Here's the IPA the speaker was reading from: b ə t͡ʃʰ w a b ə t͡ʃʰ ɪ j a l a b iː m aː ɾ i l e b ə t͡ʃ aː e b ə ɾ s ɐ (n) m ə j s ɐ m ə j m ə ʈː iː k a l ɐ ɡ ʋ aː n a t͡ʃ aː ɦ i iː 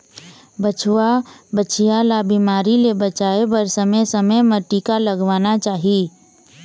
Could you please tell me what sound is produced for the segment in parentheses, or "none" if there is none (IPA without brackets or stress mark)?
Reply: none